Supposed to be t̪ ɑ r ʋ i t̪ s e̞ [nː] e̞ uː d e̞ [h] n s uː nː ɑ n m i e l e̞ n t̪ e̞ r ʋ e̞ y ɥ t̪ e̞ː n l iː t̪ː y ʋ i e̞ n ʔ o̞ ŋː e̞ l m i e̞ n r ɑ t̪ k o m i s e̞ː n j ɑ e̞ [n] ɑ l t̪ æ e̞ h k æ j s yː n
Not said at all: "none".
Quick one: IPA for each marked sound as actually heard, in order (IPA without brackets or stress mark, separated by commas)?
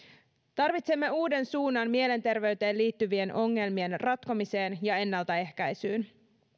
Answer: mː, none, nː